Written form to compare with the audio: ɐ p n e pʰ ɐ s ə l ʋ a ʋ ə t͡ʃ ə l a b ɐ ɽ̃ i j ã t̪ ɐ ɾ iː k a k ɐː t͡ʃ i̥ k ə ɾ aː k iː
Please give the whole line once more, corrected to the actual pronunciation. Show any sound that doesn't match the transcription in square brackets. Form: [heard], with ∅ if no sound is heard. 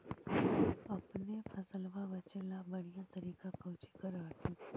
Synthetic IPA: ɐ p n e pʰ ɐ s ə l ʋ a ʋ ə t͡ʃ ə l a b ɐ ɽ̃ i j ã t̪ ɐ ɾ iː k a k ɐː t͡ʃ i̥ k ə ɾ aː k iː

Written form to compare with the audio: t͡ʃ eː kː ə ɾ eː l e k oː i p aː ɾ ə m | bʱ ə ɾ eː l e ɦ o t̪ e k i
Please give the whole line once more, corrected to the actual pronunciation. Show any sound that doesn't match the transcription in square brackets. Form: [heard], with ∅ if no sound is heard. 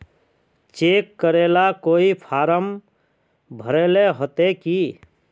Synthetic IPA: t͡ʃ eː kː ə ɾ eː l [a] k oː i [pʰ] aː ɾ ə m | bʱ ə ɾ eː l e ɦ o t̪ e k i

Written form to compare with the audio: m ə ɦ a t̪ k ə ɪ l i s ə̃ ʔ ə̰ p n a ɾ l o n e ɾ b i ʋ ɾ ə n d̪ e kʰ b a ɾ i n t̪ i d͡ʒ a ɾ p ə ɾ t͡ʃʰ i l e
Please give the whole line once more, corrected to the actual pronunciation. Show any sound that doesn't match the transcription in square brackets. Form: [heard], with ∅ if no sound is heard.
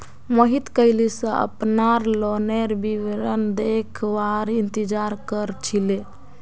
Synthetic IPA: m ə ɦ [i] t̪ k ə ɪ l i s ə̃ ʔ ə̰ p n a ɾ l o n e ɾ b i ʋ ɾ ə n d̪ e kʰ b a ɾ i n t̪ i d͡ʒ a ɾ [k] ə ɾ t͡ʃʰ i l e

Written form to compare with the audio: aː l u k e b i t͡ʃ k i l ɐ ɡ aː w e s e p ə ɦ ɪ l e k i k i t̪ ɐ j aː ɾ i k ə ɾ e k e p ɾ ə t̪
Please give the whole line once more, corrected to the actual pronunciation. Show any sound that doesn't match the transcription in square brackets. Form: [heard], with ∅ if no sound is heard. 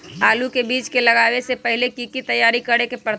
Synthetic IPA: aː l u k e b [iː] t͡ʃ k [e] l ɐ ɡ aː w e s e p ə ɦ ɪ l e k i k i t̪ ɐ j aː ɾ i k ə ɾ e k e p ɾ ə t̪

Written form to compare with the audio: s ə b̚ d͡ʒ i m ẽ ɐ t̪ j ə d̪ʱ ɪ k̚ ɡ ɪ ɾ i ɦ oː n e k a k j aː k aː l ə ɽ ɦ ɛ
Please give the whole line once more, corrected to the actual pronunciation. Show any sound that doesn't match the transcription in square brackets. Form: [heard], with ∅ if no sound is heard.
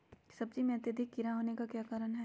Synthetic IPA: s [ɐ] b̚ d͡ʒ i m ẽ ɐ t̪ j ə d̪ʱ ɪ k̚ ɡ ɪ ɾ [a] ɦ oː n e k a k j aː k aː [ɾ] ə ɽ ɦ ɛ

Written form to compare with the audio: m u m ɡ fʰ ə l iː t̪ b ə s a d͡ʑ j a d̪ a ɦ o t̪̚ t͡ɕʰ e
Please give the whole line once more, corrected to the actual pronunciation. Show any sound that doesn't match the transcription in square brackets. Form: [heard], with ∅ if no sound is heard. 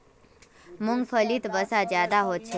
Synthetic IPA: m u [ŋ] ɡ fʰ ə l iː t̪ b ə s a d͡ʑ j a d̪ a ɦ o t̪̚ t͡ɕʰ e

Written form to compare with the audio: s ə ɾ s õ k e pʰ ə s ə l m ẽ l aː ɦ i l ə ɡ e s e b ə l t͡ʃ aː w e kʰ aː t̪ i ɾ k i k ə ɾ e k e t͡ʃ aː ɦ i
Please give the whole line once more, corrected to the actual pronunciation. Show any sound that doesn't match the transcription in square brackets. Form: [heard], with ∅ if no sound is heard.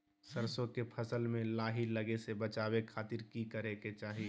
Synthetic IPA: s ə ɾ s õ k e pʰ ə s ə l m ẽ l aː ɦ i l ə ɡ e s e b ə [∅] t͡ʃ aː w e kʰ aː t̪ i ɾ k i k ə ɾ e k e t͡ʃ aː ɦ i

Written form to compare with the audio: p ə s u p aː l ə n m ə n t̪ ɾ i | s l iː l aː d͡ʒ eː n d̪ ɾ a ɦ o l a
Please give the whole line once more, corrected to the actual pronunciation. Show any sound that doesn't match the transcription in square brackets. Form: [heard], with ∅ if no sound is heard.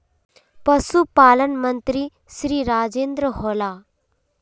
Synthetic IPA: p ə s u p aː l ə n m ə n t̪ ɾ i | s [ɾ] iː [ɾ] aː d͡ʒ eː n d̪ ɾ [ə] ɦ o l a

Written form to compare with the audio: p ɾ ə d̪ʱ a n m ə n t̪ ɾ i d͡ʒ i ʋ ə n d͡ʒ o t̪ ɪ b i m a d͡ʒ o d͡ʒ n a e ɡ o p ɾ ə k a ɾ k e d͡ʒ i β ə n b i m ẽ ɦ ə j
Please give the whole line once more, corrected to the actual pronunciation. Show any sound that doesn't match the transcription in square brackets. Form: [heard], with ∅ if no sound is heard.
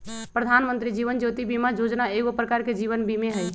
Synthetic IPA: p ɾ ə d̪ʱ a n m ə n t̪ ɾ i d͡ʒ i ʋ ə n d͡ʒ o t̪ [i] b i m a d͡ʒ o d͡ʒ n a e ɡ o p ɾ ə k a ɾ k e d͡ʒ i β ə n b i m [e] ɦ ə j

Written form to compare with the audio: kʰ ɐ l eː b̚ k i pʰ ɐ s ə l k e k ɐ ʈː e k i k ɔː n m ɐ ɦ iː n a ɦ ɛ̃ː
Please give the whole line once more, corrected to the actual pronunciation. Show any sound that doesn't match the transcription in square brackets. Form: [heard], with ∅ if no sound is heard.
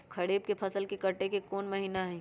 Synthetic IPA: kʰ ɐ [ɽ] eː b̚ k [e] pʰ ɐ s ə l k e k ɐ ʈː e k [e] k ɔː n m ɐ ɦ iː n a ɦ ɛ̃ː

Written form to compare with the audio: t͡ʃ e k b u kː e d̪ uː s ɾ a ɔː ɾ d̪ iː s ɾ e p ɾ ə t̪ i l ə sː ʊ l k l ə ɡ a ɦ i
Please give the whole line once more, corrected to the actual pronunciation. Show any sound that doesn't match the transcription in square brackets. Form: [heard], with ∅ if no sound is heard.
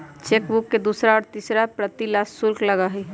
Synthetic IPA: t͡ʃ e k b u kː e d̪ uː s ɾ a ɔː ɾ [t̪] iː s ɾ [a] p ɾ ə t̪ i l [a] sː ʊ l k l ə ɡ a ɦ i

